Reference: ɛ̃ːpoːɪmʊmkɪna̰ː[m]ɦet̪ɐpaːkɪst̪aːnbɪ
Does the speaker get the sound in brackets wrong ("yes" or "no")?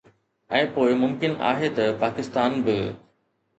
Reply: yes